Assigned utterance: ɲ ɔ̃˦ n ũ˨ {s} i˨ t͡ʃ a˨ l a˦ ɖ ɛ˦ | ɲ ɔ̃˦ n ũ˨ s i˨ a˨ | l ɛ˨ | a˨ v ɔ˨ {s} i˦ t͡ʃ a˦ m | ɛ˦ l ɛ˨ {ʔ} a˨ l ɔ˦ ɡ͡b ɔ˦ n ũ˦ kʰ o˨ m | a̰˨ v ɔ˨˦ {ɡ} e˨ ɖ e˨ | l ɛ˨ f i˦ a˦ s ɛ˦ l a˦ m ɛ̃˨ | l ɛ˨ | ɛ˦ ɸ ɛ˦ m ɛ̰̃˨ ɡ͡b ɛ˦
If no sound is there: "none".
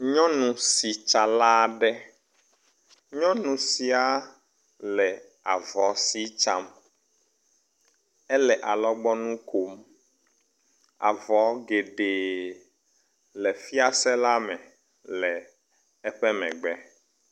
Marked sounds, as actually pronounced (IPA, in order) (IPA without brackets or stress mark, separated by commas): s, s, ʔ, ɡ